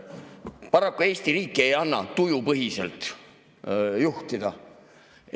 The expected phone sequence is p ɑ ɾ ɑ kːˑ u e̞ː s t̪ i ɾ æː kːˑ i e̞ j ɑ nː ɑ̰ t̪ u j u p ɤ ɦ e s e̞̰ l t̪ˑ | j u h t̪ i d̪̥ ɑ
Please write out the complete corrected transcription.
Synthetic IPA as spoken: p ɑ ɾ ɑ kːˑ u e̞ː s t̪ i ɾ iː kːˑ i e̞ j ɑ nː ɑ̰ t̪ u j u p ɤ ɦ i s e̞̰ l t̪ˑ | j u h t̪ i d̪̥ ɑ